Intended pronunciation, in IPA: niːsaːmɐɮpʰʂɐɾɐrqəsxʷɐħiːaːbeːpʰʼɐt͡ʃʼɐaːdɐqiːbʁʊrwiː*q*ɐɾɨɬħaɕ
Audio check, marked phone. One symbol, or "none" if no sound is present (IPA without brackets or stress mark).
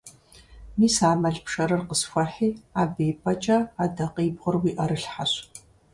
ʔ